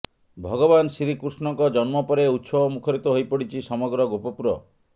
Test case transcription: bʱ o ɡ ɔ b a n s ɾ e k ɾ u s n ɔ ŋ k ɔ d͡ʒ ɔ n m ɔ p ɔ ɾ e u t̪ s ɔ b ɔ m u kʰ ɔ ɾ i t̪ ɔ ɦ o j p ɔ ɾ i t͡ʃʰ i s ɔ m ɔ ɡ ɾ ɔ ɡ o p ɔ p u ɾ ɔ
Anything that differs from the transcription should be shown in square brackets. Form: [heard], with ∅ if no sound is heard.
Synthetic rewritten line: bʱ [ɔ] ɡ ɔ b a n s ɾ [i] k ɾ u s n ɔ ŋ k ɔ d͡ʒ ɔ n m ɔ p ɔ ɾ e u t̪ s ɔ b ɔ m u kʰ ɔ ɾ i t̪ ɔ ɦ o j p ɔ [ɽ] i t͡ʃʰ i s ɔ m ɔ ɡ ɾ ɔ ɡ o p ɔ p u ɾ ɔ